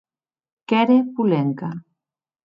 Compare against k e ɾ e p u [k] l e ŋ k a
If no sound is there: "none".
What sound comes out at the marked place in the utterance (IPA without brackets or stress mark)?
none